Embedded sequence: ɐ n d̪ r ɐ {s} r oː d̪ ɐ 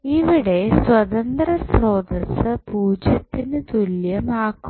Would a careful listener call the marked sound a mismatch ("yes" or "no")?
no